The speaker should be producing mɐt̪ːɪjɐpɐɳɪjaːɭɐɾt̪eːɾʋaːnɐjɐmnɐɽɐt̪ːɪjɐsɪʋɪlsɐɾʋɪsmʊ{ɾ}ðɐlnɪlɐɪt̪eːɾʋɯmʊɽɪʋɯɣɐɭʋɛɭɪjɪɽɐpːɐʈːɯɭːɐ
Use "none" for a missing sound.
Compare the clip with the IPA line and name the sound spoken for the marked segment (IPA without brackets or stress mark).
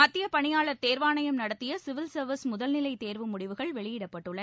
none